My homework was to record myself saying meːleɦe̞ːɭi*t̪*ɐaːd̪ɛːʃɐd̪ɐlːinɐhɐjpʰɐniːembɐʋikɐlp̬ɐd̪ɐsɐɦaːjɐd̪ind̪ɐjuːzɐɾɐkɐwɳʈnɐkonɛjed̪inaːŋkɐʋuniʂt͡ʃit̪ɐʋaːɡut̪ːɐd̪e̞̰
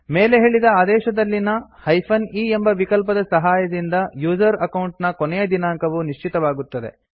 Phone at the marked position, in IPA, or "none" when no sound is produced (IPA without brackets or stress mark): d̪